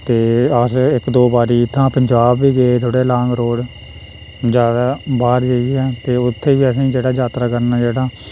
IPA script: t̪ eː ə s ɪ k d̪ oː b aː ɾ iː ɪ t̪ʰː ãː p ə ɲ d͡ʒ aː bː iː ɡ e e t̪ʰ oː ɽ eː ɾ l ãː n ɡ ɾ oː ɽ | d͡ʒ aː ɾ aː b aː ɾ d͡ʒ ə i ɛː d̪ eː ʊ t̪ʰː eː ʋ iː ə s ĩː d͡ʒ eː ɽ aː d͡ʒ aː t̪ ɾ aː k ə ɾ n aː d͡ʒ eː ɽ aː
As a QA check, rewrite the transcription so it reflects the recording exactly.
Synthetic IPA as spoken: t̪ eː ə s ɪ k d̪ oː b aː ɾ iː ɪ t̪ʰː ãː p ə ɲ d͡ʒ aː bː iː ɡ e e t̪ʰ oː ɽ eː l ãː ŋ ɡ ɾ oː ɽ | d͡ʒ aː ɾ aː b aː ɾ d͡ʒ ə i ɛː t̪ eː ʊ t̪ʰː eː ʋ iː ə s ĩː d͡ʒ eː ɽ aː d͡ʒ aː t̪ ɾ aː k ə ɾ n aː d͡ʒ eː ɽ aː